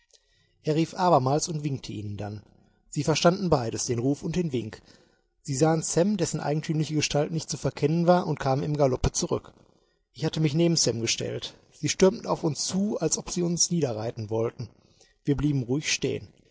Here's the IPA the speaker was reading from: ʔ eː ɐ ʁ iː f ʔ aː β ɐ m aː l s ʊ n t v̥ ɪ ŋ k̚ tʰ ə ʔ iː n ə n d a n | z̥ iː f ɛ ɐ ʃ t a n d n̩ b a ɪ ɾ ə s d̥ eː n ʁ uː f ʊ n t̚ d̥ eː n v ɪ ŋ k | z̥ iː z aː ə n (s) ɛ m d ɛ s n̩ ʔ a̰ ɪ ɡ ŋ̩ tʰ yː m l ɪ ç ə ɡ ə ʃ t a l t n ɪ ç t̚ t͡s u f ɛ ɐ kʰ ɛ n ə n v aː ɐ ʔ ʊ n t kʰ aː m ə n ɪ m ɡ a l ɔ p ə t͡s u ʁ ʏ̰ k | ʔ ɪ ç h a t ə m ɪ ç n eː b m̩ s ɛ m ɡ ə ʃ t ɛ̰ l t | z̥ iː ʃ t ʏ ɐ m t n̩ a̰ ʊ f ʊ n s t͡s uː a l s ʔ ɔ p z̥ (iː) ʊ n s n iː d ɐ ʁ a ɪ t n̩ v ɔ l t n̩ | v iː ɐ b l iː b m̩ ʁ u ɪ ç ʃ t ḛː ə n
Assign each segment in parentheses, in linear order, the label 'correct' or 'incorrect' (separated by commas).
correct, correct